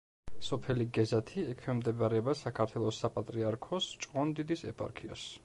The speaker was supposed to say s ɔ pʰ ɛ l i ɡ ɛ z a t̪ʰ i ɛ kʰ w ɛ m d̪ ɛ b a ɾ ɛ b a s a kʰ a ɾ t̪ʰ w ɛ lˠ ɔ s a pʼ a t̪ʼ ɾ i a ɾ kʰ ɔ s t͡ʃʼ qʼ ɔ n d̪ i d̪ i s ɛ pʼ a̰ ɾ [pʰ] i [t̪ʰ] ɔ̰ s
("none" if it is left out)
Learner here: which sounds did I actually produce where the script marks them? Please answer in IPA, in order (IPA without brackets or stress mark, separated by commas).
kʰ, none